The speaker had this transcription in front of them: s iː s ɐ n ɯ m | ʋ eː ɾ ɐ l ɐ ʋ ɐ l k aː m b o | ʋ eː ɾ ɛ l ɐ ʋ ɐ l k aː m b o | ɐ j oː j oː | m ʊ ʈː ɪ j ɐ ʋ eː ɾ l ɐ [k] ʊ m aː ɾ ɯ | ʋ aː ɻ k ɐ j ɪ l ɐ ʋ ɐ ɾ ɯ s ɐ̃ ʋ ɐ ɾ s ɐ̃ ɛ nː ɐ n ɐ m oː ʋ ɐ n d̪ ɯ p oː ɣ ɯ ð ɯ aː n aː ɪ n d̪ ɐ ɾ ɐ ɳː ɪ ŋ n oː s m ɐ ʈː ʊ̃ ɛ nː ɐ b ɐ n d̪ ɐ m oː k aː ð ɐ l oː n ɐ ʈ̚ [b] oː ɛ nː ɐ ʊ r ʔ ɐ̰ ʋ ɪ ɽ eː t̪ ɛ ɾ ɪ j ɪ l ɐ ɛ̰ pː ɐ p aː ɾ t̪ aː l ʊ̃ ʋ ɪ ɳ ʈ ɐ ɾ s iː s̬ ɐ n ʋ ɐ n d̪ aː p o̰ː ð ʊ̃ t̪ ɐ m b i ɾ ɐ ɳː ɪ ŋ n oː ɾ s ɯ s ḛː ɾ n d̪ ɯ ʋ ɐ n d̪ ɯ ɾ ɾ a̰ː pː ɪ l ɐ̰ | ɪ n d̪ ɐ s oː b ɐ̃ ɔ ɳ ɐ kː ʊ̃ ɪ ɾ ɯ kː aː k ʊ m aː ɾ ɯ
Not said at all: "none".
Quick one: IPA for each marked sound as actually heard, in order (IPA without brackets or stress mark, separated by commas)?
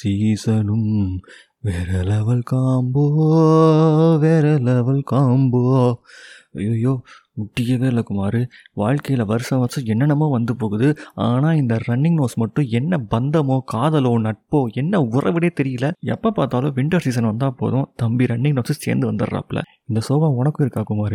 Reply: k, p